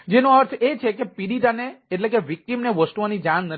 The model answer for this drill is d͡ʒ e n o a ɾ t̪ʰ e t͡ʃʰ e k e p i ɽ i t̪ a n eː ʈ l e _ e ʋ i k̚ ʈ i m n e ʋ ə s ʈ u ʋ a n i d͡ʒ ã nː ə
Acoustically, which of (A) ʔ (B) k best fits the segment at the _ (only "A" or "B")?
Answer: B